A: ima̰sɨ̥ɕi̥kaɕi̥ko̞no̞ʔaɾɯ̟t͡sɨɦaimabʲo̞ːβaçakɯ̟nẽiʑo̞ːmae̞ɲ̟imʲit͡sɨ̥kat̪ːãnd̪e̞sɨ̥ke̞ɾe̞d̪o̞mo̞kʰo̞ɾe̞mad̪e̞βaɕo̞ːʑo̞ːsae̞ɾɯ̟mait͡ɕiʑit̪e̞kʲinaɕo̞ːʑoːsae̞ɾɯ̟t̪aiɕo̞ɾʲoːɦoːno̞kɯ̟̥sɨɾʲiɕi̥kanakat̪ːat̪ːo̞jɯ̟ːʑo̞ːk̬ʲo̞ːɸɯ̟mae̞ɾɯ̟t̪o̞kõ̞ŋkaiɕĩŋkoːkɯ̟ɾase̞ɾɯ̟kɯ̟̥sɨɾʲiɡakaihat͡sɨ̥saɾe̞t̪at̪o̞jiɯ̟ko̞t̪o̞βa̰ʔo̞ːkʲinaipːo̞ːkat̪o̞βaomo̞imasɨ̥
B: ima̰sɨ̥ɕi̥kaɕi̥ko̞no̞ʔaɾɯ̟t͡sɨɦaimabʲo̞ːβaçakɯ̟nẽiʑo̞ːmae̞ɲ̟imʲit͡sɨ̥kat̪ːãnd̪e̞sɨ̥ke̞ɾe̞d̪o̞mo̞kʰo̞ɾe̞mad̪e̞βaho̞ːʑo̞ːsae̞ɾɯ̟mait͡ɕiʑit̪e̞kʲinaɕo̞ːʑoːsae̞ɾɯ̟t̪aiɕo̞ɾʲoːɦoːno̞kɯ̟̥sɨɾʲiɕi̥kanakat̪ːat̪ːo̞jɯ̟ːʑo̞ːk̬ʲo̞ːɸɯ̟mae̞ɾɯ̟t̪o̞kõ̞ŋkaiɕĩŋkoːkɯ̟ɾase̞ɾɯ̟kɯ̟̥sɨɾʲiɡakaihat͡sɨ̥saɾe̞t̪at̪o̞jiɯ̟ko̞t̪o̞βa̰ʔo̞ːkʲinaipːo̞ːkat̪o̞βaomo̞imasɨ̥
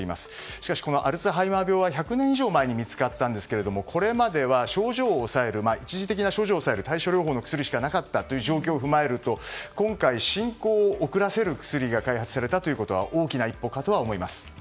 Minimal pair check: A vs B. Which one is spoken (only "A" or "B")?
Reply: A